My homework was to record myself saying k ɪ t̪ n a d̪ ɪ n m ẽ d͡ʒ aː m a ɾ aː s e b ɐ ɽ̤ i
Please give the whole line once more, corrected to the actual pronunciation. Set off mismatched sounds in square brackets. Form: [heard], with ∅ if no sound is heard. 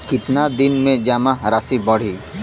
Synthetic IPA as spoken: k ɪ t̪ n a d̪ ɪ n m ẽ d͡ʒ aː m a ɾ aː s [i] b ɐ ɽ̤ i